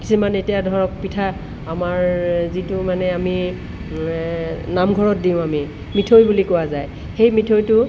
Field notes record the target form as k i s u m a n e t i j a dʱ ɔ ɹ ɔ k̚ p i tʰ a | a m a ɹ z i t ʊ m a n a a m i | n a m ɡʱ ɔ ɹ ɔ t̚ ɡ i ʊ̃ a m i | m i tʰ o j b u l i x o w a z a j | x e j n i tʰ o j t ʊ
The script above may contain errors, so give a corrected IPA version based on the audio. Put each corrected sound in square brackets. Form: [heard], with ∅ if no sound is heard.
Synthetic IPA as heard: k i s u m a n e t i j a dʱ ɔ ɹ ɔ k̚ p i tʰ a | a m a ɹ z i t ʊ m a n [ɛ] a m i | n a m ɡʱ ɔ ɹ ɔ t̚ [d] i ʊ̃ a m i | m i tʰ o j b u l i [k] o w a z a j | x e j [m] i tʰ o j t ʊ